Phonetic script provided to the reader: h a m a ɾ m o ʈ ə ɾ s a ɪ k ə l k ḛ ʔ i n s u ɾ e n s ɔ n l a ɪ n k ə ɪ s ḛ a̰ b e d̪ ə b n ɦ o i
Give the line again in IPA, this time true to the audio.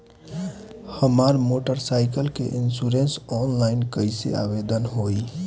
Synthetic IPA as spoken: h ə m a ɾ m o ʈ ə ɾ s a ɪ k ə l k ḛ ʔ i n s u ɾ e n s ɔ n l a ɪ n k ə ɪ s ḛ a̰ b e d̪ ə n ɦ o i